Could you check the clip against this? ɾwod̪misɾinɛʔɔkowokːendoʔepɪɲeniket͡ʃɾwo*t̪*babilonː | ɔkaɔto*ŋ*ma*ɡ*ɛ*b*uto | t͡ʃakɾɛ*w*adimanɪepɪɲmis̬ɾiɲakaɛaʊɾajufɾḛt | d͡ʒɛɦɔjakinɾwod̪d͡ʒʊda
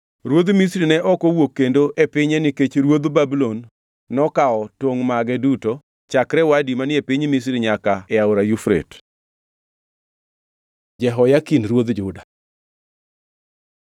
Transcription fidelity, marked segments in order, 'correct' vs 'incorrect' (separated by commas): incorrect, correct, correct, incorrect, correct